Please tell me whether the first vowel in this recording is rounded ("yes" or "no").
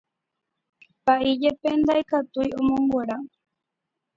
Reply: no